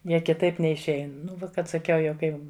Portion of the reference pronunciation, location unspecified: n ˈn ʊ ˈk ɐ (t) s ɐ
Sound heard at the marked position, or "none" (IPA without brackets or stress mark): t